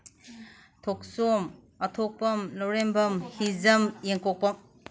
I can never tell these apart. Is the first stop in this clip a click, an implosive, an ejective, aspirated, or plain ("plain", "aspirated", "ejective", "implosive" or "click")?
aspirated